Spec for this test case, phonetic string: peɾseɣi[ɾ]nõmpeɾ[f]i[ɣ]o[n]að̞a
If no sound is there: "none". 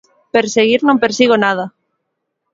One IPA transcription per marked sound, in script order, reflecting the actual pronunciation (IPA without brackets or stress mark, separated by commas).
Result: ɾ, s, ɣ, n